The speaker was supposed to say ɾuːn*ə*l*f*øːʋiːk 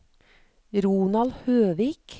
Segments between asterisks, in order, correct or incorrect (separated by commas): incorrect, incorrect